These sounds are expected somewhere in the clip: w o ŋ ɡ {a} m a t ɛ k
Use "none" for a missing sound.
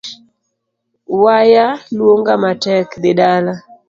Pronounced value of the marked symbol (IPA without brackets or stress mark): a